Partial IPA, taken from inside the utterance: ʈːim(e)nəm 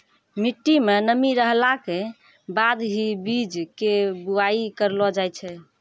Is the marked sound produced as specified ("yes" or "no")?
yes